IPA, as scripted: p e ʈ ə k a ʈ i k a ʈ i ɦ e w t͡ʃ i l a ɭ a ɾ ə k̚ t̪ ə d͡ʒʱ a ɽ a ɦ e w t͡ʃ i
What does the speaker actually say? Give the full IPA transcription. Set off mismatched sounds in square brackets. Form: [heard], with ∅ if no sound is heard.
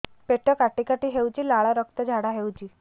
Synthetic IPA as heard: p e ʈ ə k a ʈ i k a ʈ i ɦ e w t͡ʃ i l a ɭ a ɾ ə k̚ t̪ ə d͡ʒʱ a ɽ a ɦ e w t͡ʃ i